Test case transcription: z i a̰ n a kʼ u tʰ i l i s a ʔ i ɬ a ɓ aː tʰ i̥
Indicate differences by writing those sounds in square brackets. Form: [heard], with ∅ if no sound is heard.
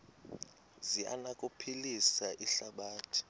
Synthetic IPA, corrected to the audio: z i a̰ n a kʼ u [pʰ] i l i s a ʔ i ɬ a ɓ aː tʰ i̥